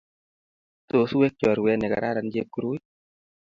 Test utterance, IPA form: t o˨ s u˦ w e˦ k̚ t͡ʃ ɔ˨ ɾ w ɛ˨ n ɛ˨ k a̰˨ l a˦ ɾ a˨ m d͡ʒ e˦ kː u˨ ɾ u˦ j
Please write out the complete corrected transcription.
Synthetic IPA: t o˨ s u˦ w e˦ k̚ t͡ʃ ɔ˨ ɾ w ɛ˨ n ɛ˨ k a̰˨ ɾ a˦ ɾ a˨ n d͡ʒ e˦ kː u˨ ɾ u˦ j